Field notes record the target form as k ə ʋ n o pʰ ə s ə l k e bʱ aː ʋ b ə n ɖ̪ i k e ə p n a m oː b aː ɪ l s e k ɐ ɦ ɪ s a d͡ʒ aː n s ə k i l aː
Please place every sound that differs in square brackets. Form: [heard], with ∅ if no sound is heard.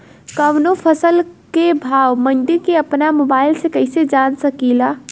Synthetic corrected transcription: k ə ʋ n o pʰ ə s ə l k e bʱ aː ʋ [m] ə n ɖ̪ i k e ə p n a m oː b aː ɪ l s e k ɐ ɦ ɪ s [e] d͡ʒ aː n s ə k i l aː